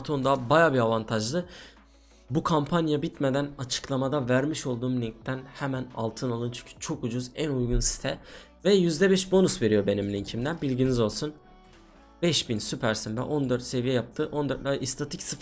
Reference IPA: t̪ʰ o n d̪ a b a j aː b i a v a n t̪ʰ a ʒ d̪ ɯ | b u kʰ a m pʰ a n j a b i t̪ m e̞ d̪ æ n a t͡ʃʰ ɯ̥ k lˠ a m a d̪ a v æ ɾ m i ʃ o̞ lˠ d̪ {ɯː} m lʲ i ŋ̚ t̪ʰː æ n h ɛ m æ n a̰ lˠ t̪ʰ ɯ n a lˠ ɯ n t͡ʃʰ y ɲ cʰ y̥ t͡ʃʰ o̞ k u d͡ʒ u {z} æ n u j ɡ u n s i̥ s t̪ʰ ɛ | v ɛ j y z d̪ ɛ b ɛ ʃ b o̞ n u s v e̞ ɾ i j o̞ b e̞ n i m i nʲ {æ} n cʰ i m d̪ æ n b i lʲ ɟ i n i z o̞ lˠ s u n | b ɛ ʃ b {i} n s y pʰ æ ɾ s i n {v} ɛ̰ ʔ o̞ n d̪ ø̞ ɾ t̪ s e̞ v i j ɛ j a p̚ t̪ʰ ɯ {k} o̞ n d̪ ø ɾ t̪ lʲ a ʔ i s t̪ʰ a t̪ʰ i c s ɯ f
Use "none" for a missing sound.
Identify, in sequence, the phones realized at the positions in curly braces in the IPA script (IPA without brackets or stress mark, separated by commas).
uː, z, i, i, v, ʔ